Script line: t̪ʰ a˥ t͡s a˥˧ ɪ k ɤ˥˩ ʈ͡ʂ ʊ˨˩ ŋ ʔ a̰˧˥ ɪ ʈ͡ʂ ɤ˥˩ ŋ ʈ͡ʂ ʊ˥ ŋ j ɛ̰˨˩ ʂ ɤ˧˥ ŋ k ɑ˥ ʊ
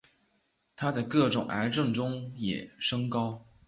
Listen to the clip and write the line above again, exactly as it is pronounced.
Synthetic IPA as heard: t̪ʰ a˥ t͡s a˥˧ ɪ k ɤ˥˩ ʈ͡ʂ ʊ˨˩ ŋ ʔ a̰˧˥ ɪ ʈ͡ʂ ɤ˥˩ ŋ ʈ͡ʂ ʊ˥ ŋ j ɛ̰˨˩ ʂ ɤ˥ ŋ k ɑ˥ ʊ